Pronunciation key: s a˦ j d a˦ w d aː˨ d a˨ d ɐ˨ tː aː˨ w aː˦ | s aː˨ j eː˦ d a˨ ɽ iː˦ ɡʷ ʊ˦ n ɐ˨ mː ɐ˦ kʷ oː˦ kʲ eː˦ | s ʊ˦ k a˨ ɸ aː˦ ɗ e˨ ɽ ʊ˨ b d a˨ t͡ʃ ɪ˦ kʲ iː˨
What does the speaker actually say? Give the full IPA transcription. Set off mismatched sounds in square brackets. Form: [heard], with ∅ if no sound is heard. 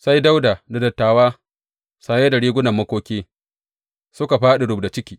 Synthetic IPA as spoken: s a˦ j d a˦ w d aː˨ d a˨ d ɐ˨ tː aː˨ w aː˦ | s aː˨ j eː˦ d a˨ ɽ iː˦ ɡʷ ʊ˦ n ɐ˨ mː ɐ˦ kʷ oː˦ kʲ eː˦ | s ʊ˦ k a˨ ɸ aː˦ ɗ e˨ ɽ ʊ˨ b d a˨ t͡ʃ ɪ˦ kʲ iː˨